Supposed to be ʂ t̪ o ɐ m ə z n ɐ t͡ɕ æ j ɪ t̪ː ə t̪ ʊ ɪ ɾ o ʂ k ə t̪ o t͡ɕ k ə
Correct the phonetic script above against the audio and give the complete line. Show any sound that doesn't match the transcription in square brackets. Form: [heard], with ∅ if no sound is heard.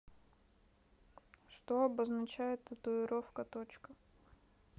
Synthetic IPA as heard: ʂ t̪ o ɐ [b] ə z n ɐ t͡ɕ æ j ɪ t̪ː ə t̪ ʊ ɪ ɾ o [f] k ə t̪ o t͡ɕ k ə